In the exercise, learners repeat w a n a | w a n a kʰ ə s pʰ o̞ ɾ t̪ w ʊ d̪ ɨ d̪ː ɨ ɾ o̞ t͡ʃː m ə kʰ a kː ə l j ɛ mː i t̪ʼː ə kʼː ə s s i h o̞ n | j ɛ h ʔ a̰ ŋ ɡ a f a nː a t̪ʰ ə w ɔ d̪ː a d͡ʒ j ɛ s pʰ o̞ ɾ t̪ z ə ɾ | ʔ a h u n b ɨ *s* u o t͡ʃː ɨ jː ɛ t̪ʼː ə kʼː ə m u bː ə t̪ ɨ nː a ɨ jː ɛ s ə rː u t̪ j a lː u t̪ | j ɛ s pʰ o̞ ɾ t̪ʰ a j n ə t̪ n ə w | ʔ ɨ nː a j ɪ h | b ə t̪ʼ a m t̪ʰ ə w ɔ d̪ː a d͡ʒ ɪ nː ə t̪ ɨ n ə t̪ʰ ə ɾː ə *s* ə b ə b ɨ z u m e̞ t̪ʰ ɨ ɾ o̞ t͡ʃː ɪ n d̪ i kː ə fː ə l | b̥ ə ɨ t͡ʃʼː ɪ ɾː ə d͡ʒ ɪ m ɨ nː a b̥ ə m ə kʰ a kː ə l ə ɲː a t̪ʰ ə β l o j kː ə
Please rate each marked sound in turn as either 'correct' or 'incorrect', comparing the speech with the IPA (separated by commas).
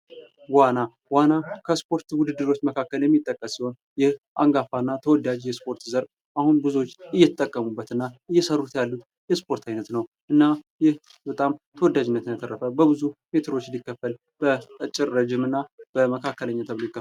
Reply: incorrect, incorrect